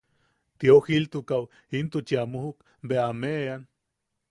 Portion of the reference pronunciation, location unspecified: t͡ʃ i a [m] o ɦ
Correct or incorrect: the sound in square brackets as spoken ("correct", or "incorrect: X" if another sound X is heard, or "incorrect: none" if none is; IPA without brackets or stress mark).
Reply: correct